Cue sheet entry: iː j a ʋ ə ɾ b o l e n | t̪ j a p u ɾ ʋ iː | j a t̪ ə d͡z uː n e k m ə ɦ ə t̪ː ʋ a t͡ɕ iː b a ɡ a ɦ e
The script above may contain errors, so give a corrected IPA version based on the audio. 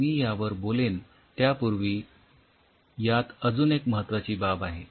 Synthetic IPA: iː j a ʋ ə ɾ b o l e n | t̪ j a p u ɾ ʋ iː | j a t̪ ə d͡z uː n e k m ə ɦ ə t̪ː ʋ a t͡ɕ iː b a b a ɦ e